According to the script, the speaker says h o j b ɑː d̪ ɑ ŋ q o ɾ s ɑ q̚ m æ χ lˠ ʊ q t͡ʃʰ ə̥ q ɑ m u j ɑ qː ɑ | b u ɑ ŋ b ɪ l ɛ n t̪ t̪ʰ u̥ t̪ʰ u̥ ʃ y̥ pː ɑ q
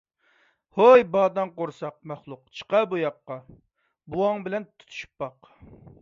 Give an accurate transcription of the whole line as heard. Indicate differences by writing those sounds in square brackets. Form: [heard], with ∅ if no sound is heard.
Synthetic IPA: h o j b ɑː d̪ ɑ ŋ q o ɾ s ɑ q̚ m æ χ lˠ ʊ q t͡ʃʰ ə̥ q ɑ [b] u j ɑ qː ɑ | b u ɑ ŋ b ɪ l ɛ n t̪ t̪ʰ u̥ t̪ʰ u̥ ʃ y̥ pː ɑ q